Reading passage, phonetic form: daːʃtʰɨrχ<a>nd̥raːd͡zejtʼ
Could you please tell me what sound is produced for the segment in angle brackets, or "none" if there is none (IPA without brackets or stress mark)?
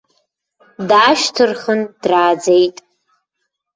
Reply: ə